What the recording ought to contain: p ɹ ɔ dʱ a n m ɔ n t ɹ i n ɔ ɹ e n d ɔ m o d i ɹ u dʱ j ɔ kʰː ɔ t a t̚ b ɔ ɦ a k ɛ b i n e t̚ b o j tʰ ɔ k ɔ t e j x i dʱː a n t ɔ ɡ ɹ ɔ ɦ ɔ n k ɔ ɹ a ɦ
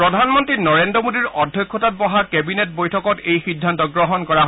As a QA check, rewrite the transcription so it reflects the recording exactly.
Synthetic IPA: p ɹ ɔ dʱ a n m ɔ n t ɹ i n ɔ ɹ e n d ɔ m o d i ɹ ɔ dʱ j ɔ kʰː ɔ t a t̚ b ɔ ɦ a k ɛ b i n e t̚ b o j tʰ ɔ k ɔ t e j x i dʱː a n t ɔ ɡ ɹ ɔ ɦ ɔ n k ɔ ɹ a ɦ